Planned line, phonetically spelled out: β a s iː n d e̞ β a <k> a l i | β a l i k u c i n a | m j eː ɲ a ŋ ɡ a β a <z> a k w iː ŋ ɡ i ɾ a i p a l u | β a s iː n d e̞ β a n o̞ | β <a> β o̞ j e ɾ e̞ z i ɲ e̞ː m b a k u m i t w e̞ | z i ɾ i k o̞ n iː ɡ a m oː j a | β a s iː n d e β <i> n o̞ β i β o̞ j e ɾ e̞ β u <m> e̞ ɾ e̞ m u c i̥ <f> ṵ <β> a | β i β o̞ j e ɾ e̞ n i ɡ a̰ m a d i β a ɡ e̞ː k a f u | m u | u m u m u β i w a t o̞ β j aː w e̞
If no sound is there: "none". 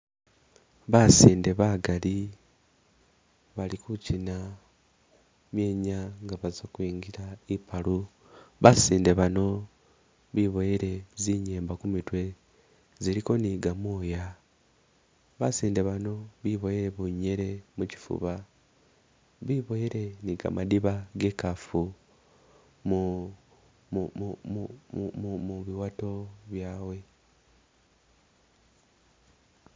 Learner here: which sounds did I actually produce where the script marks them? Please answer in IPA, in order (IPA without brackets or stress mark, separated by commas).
ɡ, z, i, a, ɲ, f, β